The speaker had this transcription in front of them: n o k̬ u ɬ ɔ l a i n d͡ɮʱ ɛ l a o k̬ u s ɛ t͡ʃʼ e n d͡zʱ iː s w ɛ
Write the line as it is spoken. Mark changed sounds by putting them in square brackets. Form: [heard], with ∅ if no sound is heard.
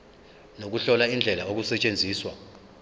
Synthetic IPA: n o k̬ u ɬ ɔ l a i n d͡ɮʱ ɛ l a o k̬ u s ɛ t͡ʃʼ e n d͡zʱ iː s w [a]